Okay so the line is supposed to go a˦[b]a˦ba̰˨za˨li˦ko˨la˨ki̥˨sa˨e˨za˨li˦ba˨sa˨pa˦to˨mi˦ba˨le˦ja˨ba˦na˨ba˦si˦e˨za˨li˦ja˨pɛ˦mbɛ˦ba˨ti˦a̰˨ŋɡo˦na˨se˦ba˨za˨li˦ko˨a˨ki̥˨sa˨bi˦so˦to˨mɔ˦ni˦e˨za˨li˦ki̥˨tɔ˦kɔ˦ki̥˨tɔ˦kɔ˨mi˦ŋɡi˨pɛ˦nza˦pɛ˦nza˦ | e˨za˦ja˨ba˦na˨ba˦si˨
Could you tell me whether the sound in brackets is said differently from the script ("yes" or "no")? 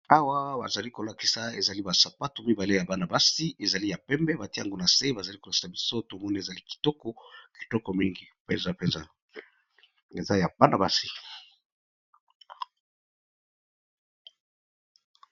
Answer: yes